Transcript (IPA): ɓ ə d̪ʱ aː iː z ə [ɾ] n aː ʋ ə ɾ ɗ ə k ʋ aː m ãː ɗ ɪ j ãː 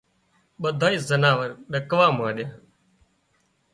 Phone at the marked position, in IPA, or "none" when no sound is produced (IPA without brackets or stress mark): none